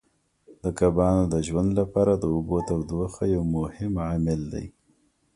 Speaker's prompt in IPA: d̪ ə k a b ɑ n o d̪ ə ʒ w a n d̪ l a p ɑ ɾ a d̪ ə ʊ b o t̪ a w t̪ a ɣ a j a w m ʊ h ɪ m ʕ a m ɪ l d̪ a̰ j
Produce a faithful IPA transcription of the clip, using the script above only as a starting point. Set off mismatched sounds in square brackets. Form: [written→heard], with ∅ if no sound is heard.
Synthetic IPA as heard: d̪ ə k a b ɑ n o d̪ ə ʒ w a n d̪ l a p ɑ ɾ a d̪ ə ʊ b o t̪ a w [t̪→d̪] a [ɣ→x] a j a w m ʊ h ɪ m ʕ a m ɪ l d̪ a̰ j

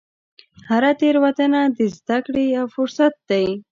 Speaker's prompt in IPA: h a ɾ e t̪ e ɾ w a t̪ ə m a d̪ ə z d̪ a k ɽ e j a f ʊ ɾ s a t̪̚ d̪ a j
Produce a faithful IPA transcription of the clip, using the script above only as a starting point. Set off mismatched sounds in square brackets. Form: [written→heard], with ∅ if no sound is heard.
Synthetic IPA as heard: h a ɾ [e→a] t̪ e ɾ w a t̪ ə [m→n] a d̪ ə z d̪ a k ɽ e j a f ʊ ɾ s a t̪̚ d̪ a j

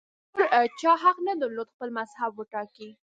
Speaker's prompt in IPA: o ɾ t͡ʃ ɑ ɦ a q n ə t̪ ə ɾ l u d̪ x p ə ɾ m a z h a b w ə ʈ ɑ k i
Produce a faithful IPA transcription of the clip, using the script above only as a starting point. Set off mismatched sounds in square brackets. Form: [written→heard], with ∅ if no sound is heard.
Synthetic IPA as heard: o ɾ t͡ʃ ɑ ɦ a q n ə [t̪→d̪] ə ɾ l [u→o] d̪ x p ə [ɾ→l] m a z h a b w ə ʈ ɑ k i

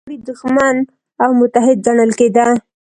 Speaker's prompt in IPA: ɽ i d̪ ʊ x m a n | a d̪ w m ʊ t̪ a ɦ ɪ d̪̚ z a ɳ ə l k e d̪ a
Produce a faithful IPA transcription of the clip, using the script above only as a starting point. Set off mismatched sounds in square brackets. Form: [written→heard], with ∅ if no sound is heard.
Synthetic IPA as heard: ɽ i d̪ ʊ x m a n | a [d̪→∅] w m ʊ t̪ a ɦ ɪ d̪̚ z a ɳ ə l k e d̪ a

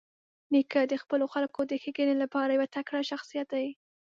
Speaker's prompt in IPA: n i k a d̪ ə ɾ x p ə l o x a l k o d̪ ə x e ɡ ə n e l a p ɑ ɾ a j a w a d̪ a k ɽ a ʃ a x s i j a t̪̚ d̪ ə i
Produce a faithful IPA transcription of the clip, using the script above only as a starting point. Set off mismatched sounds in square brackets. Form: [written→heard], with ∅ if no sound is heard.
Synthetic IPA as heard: n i k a d̪ ə [ɾ→∅] x p ə l o x a l k o d̪ ə x e ɡ ə n e l a p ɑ ɾ a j a w a [d̪→t̪] a k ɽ a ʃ a x s i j a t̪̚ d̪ [ə→a] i

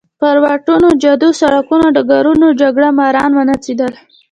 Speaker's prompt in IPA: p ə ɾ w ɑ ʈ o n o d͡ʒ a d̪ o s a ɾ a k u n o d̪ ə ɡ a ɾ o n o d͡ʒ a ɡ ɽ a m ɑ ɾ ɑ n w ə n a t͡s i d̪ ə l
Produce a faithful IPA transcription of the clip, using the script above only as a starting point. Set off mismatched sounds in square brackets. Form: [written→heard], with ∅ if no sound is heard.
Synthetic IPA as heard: p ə ɾ w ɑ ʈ [o→u] n o d͡ʒ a d̪ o s a [ɾ→ɽ] a k u n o d̪ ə ɡ a ɾ [o→u] n o d͡ʒ a ɡ ɽ a m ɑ ɾ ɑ n w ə n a t͡s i d̪ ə l

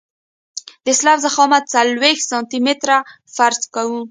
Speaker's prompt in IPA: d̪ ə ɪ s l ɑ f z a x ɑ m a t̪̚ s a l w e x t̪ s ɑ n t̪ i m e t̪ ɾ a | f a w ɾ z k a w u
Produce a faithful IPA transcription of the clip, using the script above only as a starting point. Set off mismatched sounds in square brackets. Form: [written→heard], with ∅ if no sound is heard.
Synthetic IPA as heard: d̪ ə ɪ s l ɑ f z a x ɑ m a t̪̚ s a l w e x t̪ s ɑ n t̪ i m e t̪ ɾ a | f a [w→∅] ɾ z k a w u

